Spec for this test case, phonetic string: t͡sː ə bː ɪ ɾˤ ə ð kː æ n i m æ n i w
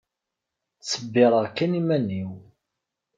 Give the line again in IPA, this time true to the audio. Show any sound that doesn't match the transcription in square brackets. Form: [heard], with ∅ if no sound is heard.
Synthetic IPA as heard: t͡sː ə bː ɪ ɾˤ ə [ʁ] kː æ n i m æ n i w